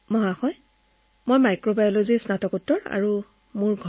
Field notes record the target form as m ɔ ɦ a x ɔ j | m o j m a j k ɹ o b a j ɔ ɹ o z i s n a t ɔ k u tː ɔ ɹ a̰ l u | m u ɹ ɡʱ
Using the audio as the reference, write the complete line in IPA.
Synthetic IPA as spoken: m ɔ ɦ a x ɔ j | m o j m a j k ɹ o b a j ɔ l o z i s n a t ɔ k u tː ɔ ɹ a̰ ɹ u | m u ɹ ɡʱ

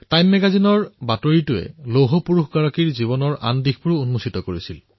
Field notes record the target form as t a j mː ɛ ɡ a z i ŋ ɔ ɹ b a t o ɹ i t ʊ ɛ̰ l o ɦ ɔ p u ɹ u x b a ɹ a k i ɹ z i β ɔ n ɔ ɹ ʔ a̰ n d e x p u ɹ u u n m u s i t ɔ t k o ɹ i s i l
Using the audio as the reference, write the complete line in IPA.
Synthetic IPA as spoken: t a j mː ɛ ɡ a z i n ɔ ɹ b a t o ɹ i t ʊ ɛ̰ l o ɦ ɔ p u ɹ u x ɡ a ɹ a k i ɹ z i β ɔ n ɔ ɹ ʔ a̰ n d i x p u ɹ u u n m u s i t ɔ k o ɹ i s i l

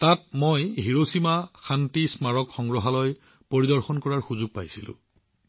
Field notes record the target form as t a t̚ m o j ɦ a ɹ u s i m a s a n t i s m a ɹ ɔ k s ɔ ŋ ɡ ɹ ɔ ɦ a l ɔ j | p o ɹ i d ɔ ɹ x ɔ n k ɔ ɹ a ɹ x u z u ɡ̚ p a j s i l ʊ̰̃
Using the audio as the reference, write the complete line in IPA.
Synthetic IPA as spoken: t a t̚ m o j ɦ i ɹ o s i m a x a n t i s m a ɹ ɔ k x ɔ ŋ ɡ ɹ ɔ ɦ a l ɔ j | p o ɹ i d ɔ ɹ x ɔ n k ɔ ɹ a ɹ x u z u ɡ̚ p a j s i l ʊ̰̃

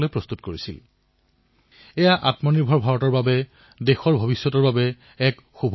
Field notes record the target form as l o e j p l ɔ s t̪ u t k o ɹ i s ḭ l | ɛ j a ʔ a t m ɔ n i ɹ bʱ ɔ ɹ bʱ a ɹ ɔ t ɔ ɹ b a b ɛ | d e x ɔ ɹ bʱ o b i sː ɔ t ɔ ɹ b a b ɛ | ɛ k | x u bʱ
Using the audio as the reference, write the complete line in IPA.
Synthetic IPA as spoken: l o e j p ɹ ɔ s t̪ u t k o ɹ i s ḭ l | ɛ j a ʔ a t m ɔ n i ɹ bʱ ɔ ɹ bʱ a ɹ ɔ t ɔ ɹ b a b ɛ | d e x ɔ ɹ bʱ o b i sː ɔ t ɔ ɹ b a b ɛ | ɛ k | x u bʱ

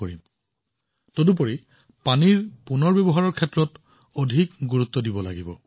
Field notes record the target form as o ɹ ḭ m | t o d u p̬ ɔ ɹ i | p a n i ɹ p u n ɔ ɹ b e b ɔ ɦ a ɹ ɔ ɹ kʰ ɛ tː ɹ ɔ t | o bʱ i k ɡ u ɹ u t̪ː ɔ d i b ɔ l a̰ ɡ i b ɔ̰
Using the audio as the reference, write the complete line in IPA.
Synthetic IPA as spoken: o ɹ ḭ m | t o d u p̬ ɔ ɹ i | p a n i ɹ p u n ɔ ɹ b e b ɔ ɦ a ɹ ɔ ɹ kʰ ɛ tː ɹ ɔ t | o dʱ i k ɡ u ɹ u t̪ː ɔ d i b ɔ l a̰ ɡ i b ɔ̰

